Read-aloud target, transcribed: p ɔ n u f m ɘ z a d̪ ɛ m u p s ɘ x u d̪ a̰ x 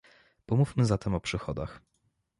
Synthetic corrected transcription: p ɔ m u f m ɘ z a t̪ ɛ m ɔ p ʂ ɘ x ɔ d̪ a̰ x